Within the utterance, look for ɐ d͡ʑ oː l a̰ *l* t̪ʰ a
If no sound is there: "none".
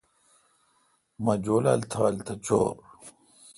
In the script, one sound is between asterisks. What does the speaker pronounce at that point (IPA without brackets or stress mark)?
l